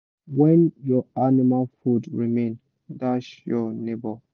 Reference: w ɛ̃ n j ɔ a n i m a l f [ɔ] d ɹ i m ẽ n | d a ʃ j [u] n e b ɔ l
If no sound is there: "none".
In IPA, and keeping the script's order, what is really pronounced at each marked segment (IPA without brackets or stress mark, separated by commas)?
u, ɔ